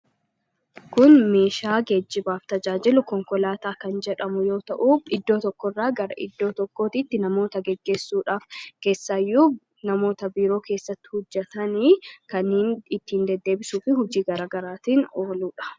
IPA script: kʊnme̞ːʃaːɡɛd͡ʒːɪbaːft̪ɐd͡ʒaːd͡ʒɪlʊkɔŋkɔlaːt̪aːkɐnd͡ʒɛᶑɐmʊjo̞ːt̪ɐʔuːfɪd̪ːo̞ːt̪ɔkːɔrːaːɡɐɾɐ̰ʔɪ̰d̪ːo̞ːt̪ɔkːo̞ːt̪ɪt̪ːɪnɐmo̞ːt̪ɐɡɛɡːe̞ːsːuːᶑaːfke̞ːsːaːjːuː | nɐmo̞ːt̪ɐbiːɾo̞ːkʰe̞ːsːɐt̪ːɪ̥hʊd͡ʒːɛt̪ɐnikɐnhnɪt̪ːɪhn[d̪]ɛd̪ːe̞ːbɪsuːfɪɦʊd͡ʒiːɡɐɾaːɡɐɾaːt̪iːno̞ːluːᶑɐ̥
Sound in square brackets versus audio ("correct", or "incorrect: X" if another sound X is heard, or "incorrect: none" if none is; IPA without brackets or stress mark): correct